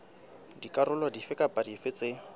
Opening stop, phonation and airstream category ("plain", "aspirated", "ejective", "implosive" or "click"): plain